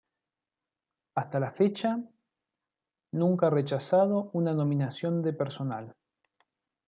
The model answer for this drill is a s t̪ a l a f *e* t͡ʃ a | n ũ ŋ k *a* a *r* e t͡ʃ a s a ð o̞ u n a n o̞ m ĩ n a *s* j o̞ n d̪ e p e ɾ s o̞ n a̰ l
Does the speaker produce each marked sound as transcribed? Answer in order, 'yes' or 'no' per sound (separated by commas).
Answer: yes, yes, yes, yes